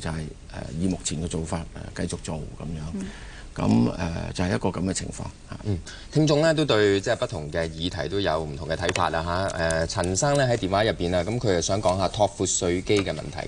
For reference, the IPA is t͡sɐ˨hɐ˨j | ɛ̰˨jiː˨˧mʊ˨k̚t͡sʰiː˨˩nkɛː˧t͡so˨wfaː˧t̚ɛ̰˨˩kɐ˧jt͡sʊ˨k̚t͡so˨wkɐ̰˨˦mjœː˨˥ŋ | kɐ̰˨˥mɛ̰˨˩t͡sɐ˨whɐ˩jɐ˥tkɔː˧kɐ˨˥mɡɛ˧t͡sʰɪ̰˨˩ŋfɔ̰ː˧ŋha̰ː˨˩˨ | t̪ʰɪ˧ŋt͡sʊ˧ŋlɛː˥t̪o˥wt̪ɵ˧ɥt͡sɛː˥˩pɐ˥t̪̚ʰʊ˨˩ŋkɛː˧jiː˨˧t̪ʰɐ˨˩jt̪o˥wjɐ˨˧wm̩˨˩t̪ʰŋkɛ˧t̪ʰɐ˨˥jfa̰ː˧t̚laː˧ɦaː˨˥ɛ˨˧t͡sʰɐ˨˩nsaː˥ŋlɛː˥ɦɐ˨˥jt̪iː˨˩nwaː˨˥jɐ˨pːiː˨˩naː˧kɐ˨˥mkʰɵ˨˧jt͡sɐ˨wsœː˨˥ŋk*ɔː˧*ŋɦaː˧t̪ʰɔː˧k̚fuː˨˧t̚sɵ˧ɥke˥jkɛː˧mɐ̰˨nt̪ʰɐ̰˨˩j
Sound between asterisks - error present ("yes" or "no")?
yes